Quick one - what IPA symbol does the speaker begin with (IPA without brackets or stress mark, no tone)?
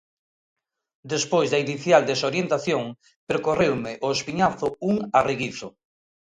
d̪